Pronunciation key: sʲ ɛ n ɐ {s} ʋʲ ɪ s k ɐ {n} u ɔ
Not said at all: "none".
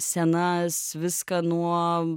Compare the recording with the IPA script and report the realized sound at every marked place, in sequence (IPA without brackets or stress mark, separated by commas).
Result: s, n